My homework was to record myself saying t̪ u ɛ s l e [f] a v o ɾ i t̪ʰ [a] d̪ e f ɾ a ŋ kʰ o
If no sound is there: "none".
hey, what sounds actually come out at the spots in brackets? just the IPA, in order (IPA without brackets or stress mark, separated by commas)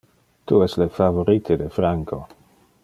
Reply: f, e